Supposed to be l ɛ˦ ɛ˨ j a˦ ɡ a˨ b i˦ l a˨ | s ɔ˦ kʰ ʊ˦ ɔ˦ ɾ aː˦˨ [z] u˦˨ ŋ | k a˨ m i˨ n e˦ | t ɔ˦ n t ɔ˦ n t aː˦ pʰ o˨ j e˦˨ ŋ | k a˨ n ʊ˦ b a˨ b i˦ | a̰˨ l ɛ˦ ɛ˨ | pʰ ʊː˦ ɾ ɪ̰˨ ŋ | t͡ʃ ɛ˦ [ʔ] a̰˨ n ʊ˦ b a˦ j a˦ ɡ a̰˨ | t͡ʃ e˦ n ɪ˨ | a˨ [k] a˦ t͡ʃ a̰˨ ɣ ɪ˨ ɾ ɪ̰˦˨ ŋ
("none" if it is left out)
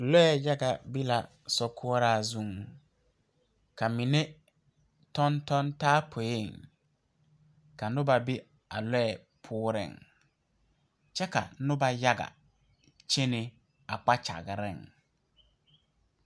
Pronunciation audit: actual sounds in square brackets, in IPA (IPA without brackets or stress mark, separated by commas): z, k, k͡p